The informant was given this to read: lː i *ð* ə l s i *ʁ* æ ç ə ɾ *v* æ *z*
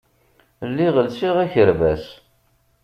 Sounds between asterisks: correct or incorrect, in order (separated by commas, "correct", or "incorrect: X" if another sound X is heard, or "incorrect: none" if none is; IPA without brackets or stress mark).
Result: incorrect: ʁ, correct, correct, incorrect: s